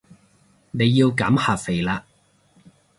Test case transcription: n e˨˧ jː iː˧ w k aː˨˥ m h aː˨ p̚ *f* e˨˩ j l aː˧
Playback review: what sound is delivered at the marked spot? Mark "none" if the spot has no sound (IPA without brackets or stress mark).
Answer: f